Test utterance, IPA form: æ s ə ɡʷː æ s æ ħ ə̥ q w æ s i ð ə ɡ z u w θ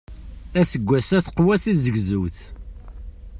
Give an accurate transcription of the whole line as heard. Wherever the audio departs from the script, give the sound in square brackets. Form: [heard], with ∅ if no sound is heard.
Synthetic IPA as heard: æ s ə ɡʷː æ s æ [θ] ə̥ q w æ [θ] i [z] ə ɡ z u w θ